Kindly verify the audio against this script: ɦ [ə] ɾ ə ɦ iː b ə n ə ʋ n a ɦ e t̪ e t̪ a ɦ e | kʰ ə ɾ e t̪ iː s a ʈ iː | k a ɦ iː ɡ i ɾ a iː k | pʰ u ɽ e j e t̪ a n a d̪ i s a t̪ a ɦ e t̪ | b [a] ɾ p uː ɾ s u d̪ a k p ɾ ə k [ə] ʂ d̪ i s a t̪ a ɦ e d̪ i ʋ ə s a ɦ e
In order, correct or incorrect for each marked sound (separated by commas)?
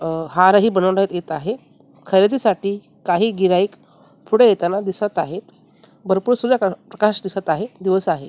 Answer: incorrect, incorrect, incorrect